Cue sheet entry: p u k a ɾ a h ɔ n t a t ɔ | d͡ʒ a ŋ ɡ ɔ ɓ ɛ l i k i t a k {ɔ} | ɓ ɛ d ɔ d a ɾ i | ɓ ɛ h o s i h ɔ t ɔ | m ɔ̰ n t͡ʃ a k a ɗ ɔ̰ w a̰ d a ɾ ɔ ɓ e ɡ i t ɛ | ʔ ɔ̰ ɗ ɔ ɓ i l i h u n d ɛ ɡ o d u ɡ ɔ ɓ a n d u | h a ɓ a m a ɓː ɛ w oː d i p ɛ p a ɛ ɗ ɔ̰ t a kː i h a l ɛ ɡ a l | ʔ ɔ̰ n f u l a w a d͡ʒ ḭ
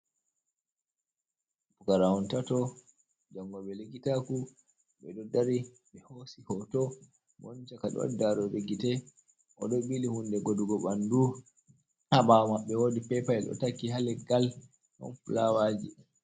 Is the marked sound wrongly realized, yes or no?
yes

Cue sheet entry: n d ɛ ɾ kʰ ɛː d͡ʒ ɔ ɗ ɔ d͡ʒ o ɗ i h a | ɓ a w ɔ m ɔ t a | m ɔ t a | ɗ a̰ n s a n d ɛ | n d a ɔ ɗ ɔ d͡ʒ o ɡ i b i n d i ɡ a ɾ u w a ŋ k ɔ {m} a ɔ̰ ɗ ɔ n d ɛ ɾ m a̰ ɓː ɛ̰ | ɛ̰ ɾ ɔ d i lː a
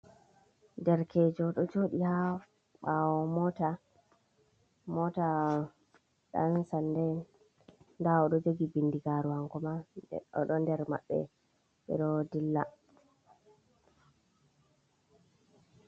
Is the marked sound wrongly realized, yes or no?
no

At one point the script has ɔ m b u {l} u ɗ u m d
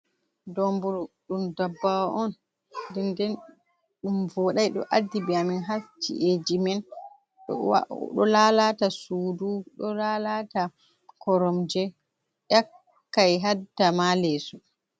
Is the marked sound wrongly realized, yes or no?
yes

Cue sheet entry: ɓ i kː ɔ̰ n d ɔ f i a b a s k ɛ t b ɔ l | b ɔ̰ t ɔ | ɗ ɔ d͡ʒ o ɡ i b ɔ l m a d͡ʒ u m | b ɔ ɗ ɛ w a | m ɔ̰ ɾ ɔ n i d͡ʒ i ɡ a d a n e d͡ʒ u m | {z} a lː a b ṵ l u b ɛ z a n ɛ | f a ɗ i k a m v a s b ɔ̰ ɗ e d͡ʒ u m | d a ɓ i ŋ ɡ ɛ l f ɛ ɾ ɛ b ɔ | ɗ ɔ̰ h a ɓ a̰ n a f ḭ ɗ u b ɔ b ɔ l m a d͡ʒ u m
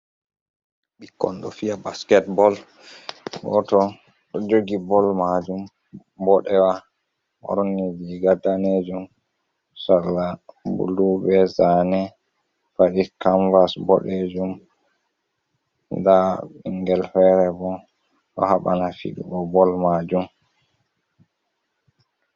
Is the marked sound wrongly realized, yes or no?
yes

